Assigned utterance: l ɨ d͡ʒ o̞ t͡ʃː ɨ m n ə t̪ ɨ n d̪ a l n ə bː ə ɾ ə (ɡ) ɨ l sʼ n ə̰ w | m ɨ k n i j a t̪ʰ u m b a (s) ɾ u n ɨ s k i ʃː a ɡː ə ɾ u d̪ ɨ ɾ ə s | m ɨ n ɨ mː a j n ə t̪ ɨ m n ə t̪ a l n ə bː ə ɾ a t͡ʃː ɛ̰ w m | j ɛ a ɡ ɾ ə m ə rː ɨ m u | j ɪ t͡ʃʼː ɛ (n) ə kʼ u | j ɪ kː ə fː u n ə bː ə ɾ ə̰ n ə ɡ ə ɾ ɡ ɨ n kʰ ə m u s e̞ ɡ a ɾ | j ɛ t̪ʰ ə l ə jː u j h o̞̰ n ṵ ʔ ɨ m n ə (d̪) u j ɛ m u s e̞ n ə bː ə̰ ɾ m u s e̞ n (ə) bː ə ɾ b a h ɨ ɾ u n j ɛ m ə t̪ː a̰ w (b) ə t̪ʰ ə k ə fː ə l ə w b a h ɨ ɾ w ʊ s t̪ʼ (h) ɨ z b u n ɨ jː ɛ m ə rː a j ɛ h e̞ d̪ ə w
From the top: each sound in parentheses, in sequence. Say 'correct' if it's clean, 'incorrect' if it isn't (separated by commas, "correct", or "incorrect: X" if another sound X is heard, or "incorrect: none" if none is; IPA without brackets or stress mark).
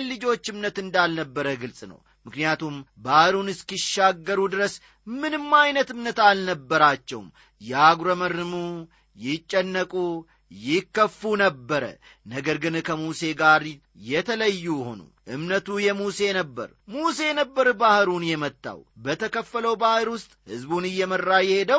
correct, incorrect: h, incorrect: nː, incorrect: t̪, correct, correct, correct